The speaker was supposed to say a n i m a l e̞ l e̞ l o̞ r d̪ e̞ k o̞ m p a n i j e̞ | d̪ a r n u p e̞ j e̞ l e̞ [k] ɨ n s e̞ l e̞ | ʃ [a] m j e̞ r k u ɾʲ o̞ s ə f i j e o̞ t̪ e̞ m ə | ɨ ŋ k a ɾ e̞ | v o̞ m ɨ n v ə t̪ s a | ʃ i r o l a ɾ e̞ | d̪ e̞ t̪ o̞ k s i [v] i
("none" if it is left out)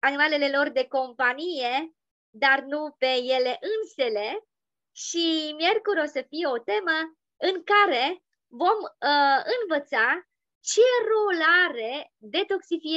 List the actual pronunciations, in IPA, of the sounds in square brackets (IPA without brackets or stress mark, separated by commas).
ʔ, i, f